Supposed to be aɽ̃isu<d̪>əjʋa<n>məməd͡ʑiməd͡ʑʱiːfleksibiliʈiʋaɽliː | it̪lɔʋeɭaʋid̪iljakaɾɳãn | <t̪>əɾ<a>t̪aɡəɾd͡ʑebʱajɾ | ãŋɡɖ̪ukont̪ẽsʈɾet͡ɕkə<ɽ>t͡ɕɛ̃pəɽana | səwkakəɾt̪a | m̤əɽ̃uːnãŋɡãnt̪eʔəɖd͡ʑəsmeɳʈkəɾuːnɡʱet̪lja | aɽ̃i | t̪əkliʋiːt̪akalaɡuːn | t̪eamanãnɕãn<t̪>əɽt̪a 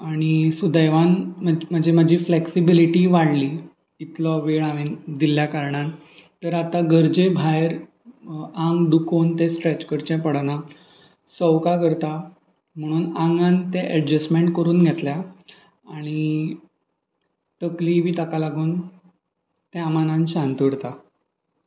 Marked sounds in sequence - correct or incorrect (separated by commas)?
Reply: correct, correct, correct, correct, incorrect, correct